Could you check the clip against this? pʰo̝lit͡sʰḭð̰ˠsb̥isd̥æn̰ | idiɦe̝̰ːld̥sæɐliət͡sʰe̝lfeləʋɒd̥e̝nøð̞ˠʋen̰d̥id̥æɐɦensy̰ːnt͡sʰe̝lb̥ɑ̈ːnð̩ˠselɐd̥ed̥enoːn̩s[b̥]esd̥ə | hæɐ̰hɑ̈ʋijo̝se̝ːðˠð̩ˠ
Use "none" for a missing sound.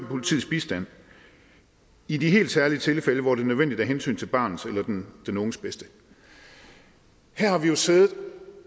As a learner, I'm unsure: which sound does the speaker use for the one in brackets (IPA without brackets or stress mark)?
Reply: b̥